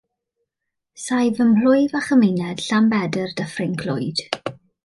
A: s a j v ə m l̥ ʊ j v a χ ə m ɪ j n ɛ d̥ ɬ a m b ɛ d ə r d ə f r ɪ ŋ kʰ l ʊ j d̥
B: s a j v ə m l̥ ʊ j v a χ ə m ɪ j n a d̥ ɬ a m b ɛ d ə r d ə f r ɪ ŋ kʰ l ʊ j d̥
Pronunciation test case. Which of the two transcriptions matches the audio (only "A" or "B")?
A